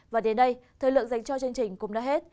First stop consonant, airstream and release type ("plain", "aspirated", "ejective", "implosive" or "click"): implosive